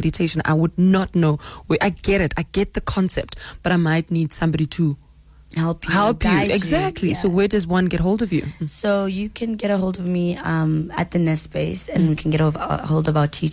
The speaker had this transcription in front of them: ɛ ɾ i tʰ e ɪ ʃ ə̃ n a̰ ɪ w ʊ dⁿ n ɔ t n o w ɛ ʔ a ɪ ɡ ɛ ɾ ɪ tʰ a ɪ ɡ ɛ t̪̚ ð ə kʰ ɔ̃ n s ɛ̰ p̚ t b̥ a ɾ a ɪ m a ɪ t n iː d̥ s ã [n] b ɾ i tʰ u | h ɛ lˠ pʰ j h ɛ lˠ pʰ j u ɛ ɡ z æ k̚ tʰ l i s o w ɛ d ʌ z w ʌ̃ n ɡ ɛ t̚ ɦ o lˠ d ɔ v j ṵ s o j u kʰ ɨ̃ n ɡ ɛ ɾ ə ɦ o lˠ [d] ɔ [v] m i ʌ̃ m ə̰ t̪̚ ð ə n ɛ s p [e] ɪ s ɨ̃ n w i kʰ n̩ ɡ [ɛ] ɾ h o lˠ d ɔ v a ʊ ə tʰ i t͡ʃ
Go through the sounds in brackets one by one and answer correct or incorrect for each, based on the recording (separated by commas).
incorrect, correct, correct, correct, correct